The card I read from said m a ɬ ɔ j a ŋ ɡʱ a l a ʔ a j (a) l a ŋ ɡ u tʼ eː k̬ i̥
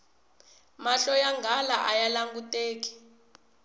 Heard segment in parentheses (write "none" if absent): a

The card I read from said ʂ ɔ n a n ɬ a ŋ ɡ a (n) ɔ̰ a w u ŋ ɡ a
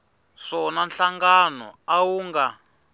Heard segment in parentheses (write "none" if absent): n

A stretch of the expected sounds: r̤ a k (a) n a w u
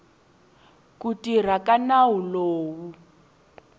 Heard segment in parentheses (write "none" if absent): a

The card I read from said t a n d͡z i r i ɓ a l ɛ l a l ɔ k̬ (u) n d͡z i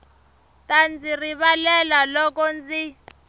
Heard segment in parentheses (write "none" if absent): ɔ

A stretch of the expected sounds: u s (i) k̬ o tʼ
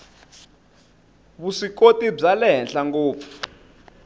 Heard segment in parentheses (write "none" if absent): i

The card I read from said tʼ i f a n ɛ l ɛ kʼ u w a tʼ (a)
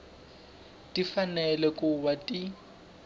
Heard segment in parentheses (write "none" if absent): i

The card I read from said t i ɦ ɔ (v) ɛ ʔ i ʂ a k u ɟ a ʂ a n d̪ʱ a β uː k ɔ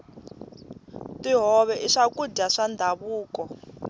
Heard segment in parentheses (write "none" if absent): β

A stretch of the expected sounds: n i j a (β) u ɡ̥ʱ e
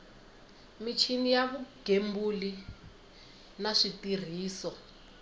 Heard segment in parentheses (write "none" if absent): β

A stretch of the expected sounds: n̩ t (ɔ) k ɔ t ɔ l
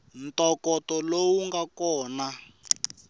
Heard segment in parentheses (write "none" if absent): ɔ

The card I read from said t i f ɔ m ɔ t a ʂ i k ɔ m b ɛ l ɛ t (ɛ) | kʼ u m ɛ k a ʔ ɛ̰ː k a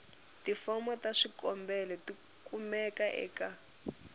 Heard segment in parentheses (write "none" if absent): i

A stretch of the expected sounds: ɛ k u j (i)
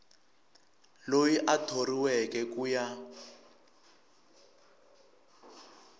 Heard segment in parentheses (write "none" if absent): a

